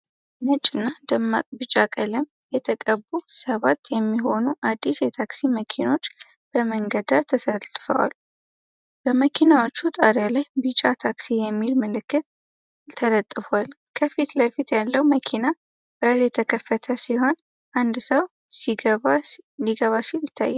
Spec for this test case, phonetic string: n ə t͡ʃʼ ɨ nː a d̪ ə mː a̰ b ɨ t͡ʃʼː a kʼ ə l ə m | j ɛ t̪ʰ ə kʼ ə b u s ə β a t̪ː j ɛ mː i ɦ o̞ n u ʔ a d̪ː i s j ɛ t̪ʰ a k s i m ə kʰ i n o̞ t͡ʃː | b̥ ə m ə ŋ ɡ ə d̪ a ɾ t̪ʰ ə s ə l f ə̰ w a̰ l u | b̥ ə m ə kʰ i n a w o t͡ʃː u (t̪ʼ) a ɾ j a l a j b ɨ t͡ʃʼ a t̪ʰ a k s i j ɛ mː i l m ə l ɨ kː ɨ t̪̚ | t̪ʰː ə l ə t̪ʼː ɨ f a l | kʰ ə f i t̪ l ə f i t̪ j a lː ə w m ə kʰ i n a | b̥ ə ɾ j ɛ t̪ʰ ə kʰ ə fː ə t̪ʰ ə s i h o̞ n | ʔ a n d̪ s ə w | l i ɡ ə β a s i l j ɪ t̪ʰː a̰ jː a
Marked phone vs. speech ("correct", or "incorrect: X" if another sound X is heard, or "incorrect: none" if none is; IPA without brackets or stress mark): correct